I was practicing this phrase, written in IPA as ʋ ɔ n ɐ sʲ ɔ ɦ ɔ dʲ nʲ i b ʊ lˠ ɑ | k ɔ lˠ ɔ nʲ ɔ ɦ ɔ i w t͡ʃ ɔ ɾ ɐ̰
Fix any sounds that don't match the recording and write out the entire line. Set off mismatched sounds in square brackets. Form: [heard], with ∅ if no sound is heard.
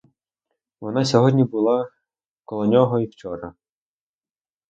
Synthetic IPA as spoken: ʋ ɔ n [ɑ] sʲ ɔ ɦ ɔ dʲ nʲ i b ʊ lˠ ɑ | k ɔ lˠ ɔ nʲ ɔ ɦ ɔ i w t͡ʃ ɔ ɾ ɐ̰